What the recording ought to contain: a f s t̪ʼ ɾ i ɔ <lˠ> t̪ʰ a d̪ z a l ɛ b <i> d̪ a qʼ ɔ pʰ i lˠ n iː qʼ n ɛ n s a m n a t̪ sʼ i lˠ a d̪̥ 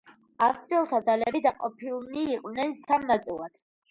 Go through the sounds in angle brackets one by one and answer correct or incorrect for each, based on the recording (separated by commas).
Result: correct, correct